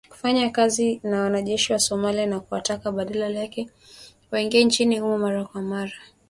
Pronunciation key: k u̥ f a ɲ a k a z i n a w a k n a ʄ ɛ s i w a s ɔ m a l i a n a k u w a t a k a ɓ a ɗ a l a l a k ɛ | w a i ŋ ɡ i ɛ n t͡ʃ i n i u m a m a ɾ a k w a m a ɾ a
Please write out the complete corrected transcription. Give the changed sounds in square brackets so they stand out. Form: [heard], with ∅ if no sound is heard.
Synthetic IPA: k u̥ f a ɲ a k a z i n a w a [∅] n a ʄ ɛ [ʃ] i w a s ɔ m a l i a n a k u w a t a k a ɓ a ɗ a l a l a k ɛ | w a i ŋ ɡ i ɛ n t͡ʃ i n i u m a m a ɾ a k w a m a ɾ a

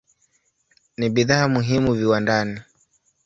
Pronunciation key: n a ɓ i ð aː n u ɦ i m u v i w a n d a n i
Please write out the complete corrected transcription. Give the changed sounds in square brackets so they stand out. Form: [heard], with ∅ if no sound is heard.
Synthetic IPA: n [i] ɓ i ð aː [m] u ɦ i m u v i w a n d a n i

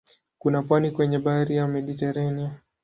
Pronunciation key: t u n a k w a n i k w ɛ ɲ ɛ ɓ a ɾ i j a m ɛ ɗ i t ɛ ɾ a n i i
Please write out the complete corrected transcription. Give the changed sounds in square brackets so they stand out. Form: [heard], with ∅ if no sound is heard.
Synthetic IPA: [k] u n a [p] w a n i k w ɛ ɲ ɛ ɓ a ɾ i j a m ɛ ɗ i t ɛ ɾ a n i [a]

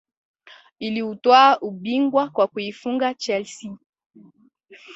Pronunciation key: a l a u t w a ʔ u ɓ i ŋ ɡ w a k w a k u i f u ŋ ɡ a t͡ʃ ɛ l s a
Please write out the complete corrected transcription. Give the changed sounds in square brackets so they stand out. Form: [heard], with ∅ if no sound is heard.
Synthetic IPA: [i] l [i] u t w a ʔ u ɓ i ŋ ɡ w a k w a k u i f u ŋ ɡ a t͡ʃ ɛ l s [i]

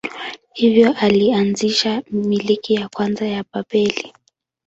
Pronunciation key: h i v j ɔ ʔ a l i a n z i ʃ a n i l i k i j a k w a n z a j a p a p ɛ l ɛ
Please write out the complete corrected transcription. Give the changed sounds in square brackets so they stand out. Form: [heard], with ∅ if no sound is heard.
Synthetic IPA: h i v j ɔ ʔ a l i a n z i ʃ a [m] i l i k i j a k w a n z a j a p a p ɛ l [i]

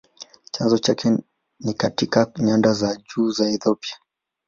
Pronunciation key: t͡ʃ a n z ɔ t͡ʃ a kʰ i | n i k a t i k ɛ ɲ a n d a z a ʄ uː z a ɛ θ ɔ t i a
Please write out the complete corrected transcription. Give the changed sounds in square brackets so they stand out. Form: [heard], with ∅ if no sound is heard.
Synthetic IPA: t͡ʃ a n z ɔ t͡ʃ a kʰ [ɛ] | n i k a t i k [a] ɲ a n d a z a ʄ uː z a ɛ θ ɔ [p] i a

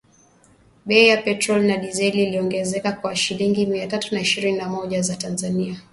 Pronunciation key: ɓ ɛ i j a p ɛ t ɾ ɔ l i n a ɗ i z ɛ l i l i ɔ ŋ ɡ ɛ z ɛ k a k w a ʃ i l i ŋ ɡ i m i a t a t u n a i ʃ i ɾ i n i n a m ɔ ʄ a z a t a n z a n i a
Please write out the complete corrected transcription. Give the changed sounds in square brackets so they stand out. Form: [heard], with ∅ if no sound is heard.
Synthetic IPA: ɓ ɛ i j a p ɛ t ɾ ɔ l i n a ɗ i z ɛ l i l i ɔ ŋ ɡ ɛ z ɛ k a k w a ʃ i l i ŋ ɡ i m i a t a t u n a i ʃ i ɾ i n i n a m ɔ ʄ a z a t a n z a n i a

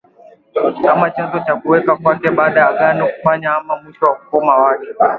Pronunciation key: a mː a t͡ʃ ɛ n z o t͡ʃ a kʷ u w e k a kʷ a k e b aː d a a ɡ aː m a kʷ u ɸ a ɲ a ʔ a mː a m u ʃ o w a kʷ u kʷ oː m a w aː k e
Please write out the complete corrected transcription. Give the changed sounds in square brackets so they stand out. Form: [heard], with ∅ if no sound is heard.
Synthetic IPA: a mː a t͡ʃ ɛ n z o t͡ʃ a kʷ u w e k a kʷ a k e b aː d a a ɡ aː [n] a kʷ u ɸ a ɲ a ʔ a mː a m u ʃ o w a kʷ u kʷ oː m a w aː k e

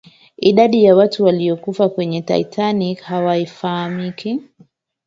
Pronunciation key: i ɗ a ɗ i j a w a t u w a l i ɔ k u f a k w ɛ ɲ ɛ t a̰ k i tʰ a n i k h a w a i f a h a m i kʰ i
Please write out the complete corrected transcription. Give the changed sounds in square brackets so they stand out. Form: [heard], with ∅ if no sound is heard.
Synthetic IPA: i ɗ a ɗ i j a w a t u w a l i ɔ k u f a k w ɛ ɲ ɛ t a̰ [∅] i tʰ a n i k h a w a i f a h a m i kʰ i

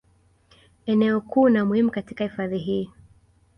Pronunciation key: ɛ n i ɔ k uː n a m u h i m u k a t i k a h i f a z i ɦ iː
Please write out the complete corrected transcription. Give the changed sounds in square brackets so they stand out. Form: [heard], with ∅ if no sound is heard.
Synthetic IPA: ɛ n [ɛ] ɔ k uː n a m u h i m u k a t i k a h i f a [ð] i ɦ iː

